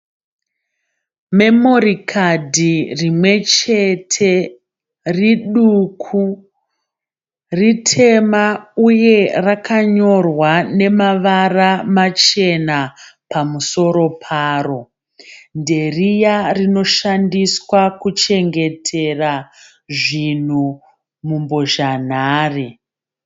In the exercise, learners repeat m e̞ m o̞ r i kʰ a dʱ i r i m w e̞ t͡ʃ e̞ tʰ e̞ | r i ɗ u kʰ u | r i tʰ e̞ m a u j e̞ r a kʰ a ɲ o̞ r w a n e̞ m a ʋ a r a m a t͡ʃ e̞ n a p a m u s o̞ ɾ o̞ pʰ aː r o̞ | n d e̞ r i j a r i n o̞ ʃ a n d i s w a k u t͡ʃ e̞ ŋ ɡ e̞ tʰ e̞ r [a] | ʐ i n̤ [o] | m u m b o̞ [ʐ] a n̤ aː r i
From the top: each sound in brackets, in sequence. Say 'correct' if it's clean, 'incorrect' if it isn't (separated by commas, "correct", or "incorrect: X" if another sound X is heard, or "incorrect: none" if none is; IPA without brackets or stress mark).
correct, incorrect: u, incorrect: ʒ